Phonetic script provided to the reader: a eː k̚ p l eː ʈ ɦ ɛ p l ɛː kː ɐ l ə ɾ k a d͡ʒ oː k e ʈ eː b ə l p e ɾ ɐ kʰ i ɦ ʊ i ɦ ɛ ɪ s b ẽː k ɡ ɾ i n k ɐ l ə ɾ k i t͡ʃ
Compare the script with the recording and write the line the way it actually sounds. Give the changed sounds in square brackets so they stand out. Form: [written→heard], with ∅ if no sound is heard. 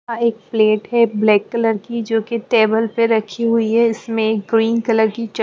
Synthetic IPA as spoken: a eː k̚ p l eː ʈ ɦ ɛ [p→b] l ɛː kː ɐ l ə ɾ k [a→i] d͡ʒ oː k e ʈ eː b ə l p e ɾ ɐ kʰ i ɦ ʊ i ɦ ɛ ɪ s [b→m] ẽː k ɡ ɾ [i→iː] n k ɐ l ə ɾ k i t͡ʃ